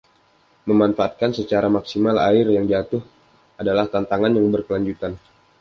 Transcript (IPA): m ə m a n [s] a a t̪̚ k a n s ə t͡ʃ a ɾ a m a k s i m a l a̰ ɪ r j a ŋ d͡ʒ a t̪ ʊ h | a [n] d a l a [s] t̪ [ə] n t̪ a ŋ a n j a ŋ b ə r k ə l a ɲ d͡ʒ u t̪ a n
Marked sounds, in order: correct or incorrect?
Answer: incorrect: f, incorrect: none, incorrect: h, incorrect: a

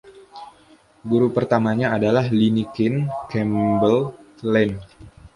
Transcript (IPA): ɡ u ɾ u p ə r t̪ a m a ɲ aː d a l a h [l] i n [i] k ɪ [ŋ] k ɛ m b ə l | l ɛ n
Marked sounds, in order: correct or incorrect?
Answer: correct, correct, incorrect: n

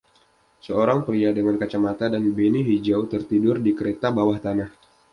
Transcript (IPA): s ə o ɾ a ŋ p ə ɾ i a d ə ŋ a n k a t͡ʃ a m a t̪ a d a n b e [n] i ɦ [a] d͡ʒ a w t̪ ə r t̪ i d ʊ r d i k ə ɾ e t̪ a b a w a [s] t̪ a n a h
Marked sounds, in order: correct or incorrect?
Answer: correct, incorrect: i, incorrect: h

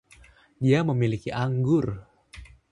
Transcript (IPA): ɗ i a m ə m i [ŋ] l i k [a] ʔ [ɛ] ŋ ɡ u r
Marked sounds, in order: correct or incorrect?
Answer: incorrect: none, incorrect: i, incorrect: a

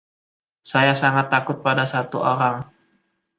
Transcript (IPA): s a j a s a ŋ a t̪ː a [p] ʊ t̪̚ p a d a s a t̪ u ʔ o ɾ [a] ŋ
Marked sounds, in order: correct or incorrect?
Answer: incorrect: k, correct

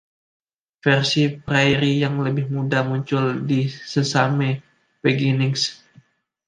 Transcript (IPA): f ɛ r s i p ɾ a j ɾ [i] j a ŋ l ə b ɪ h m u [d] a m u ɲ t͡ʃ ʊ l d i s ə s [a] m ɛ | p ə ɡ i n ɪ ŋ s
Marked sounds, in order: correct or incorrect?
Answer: correct, correct, correct

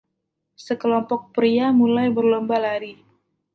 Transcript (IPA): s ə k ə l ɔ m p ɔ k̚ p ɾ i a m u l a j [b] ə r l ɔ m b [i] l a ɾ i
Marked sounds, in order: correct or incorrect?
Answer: correct, incorrect: a

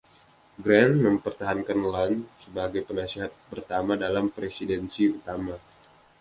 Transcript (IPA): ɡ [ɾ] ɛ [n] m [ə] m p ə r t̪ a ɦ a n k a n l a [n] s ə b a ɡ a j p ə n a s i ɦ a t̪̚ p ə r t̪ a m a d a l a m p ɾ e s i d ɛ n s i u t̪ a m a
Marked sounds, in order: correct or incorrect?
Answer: correct, correct, correct, correct

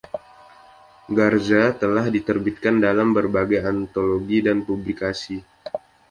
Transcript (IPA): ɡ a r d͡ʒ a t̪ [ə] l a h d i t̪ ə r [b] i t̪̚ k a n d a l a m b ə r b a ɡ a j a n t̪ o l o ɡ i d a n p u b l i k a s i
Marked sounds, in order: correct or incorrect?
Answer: correct, correct

